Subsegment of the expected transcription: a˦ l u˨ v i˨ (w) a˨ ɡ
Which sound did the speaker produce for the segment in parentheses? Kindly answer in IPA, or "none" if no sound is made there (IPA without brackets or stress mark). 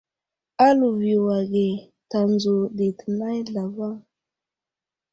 w